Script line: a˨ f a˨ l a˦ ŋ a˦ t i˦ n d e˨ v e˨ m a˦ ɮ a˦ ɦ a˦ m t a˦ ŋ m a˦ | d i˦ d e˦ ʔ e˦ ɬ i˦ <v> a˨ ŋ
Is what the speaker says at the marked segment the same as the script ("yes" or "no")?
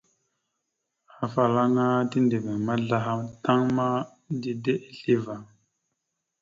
yes